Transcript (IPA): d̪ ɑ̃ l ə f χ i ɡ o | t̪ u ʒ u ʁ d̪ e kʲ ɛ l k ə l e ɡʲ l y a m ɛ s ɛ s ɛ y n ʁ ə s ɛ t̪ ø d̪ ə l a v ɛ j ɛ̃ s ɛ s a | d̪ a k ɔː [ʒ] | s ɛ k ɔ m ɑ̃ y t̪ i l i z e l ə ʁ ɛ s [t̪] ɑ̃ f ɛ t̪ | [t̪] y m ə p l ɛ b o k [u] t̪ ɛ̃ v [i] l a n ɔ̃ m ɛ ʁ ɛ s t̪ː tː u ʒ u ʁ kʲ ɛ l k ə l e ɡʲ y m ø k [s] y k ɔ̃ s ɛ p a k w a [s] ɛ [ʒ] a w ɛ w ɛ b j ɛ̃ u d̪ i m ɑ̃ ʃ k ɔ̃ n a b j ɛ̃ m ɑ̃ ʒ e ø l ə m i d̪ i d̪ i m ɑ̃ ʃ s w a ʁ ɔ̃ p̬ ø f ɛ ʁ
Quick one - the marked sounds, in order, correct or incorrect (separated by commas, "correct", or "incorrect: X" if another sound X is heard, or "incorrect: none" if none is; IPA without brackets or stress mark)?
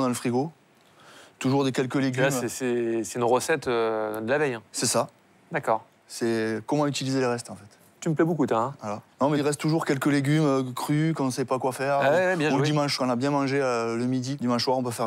incorrect: ʁ, correct, correct, correct, incorrect: a, incorrect: χ, incorrect: f, incorrect: ʁ